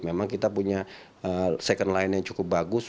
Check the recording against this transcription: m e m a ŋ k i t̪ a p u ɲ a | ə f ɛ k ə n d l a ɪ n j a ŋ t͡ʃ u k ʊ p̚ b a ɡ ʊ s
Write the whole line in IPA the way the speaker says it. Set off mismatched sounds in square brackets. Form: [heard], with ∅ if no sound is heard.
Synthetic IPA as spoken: m e m a ŋ k i t̪ a p u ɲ a | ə [s] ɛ k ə n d l a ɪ n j a ŋ t͡ʃ u k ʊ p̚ b a ɡ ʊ s